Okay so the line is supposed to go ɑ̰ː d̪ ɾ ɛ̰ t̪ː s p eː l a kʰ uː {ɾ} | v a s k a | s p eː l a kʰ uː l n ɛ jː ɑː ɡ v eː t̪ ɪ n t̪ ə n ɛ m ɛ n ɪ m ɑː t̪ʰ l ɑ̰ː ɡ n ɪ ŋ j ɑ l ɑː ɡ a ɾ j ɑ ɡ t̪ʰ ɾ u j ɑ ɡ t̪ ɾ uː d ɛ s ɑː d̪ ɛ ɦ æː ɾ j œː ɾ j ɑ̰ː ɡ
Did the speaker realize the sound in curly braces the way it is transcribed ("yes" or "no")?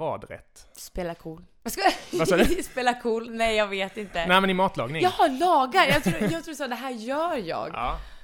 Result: no